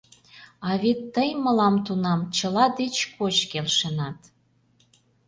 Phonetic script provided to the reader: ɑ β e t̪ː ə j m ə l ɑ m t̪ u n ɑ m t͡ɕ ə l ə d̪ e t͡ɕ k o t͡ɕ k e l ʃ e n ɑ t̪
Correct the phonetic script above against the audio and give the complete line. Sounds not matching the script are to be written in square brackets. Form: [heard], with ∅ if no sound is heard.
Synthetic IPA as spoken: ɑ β e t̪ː ə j m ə l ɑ m t̪ u n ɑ m t͡ɕ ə l [ɑ] d̪ e t͡ɕ k o t͡ɕ k e l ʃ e n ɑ t̪